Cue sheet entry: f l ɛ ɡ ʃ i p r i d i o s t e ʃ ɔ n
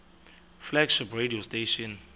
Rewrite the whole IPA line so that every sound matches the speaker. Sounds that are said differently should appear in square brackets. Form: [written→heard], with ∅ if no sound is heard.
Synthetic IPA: f l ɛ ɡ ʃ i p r [i→e] d i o s t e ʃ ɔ n

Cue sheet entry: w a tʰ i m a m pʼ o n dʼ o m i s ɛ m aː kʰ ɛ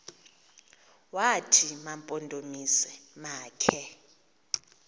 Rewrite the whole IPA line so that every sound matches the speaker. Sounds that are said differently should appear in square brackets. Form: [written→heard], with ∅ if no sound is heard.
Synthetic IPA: w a tʰ i m a m pʼ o n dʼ o m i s ɛ m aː kʰ ɛ

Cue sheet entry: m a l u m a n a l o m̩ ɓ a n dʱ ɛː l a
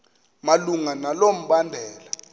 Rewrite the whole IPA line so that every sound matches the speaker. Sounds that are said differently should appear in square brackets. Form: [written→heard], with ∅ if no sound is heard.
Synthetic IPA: m a l u [m→ŋ] a n a l o m̩ ɓ a n dʱ ɛː l a

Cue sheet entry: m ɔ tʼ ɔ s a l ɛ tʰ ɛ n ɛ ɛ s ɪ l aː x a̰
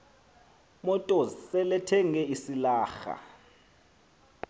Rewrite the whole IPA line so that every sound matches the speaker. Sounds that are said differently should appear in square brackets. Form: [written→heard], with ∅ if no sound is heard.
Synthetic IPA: m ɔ tʼ ɔ s [a→ɛ] l ɛ tʰ ɛ [n→ŋ] ɛ [ɛ→i] s [ɪ→i] l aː x a̰

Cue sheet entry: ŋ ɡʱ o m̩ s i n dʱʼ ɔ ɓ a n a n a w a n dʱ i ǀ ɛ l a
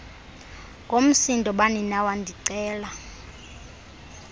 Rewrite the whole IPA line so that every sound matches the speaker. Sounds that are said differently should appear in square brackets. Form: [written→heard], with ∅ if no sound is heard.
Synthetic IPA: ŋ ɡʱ o m̩ s i n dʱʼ ɔ ɓ a n [a→i] n a w a n dʱ i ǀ [ɛ→ɛː] l a

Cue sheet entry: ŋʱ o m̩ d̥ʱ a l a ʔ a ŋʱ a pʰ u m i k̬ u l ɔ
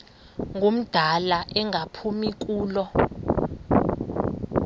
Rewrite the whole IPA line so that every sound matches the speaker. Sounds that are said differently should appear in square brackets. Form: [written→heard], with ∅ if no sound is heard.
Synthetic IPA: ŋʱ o m̩ d̥ʱ a l a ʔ [a→ɛ] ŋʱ a pʰ u m i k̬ [u→uː] l ɔ

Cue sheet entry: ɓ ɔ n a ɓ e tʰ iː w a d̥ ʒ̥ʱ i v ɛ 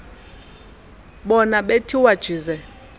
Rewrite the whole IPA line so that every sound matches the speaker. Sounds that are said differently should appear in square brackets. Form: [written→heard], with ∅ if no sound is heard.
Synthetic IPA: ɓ ɔ n a ɓ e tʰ [iː→i] w a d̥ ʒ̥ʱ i [v→z] ɛ

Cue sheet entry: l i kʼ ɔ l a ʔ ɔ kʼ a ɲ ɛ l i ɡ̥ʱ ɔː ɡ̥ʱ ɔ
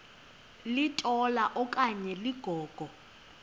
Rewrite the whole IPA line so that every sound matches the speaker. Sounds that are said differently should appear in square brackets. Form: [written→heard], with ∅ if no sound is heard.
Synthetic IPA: l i [kʼ→tʼ] ɔ l a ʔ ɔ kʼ a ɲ ɛ l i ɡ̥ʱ ɔː ɡ̥ʱ ɔ

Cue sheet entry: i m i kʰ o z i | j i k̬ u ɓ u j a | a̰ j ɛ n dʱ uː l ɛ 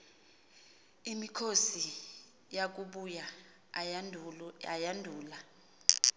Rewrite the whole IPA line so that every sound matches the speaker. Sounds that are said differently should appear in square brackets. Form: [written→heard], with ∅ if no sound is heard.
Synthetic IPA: i m i kʰ o [z→s] i | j [i→a] k̬ u ɓ u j a | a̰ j [ɛ→a] n dʱ uː l [ɛ→a]

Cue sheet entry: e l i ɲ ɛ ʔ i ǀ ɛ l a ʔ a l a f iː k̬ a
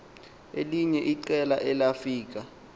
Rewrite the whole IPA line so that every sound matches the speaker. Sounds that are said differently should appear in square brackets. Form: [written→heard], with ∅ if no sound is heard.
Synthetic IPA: e l i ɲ ɛ ʔ i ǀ ɛ l a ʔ [a→ɛ] l a f iː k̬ a

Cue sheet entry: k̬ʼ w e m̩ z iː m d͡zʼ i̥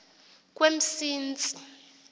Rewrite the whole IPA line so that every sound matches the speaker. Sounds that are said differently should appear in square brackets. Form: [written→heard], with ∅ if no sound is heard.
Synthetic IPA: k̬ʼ w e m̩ [z→s] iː [m→n] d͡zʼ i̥

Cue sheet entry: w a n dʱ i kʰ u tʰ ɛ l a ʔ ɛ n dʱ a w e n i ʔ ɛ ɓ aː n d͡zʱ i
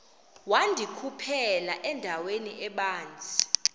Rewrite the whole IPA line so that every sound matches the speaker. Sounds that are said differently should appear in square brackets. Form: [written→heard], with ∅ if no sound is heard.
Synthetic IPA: w a n dʱ i kʰ u [tʰ→pʰ] ɛ l a ʔ ɛ n dʱ a w e n i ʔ ɛ ɓ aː n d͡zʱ i

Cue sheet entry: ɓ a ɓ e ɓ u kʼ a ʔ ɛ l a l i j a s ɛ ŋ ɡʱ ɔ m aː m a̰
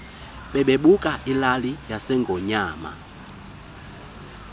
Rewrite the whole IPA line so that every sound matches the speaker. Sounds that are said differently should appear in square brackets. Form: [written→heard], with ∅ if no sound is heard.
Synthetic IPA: ɓ [a→ɛ] ɓ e ɓ u kʼ a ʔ [ɛ→i] l a l i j a s ɛ ŋ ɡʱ ɔ [m→ɲ] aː m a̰

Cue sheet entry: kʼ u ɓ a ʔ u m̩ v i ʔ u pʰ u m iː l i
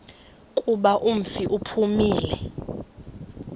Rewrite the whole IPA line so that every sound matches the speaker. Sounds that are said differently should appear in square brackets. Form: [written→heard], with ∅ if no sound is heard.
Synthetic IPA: kʼ u ɓ a ʔ u m̩ [v→f] i ʔ u pʰ u m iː l [i→ɛ]

